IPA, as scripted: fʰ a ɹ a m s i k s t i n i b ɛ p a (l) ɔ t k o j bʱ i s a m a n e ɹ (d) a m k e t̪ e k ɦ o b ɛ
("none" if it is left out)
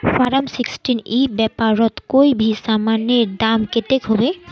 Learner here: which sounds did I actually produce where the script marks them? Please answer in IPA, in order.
ɹ, d

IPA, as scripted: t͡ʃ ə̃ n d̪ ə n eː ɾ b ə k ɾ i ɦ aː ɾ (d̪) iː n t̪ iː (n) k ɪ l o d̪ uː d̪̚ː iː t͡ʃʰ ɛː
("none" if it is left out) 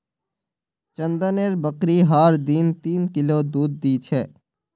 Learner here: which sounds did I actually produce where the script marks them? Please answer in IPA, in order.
d̪, n

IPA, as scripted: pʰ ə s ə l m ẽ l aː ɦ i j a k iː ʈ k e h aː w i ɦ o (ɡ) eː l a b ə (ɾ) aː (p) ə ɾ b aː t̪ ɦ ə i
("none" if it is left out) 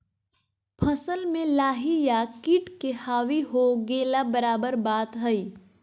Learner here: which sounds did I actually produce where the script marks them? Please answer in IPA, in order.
ɡ, ɾ, b

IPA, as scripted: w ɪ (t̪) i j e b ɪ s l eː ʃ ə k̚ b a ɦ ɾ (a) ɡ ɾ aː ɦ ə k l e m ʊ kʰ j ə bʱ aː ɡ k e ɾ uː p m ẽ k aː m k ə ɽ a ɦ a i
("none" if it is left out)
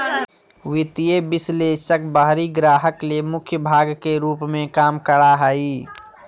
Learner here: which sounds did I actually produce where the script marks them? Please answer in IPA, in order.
t̪, i

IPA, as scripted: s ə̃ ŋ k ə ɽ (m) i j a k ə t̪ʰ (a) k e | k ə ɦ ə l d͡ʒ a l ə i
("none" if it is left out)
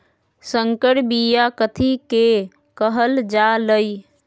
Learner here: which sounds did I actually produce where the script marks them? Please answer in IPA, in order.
b, i

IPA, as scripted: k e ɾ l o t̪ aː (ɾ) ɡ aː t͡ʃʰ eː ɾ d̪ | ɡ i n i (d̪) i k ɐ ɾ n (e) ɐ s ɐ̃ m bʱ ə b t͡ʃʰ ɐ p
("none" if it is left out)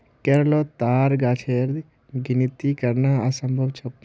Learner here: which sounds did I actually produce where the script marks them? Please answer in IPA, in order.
ɾ, t̪, a

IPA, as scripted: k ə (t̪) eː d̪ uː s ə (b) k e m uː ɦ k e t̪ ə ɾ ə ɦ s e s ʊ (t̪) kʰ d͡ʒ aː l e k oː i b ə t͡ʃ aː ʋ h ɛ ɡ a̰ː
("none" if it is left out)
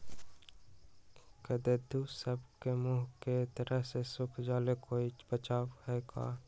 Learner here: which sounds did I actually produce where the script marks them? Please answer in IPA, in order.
d̪, b, none

